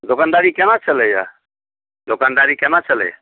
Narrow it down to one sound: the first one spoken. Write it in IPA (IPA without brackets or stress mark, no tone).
d̪